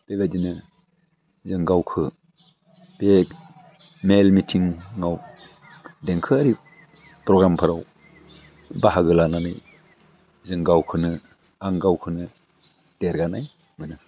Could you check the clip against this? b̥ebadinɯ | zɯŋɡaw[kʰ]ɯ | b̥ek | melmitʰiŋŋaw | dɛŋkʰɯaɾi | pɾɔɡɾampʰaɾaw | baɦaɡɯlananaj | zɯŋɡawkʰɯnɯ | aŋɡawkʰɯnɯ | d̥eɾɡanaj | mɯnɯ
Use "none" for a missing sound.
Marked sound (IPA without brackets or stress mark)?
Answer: kʰ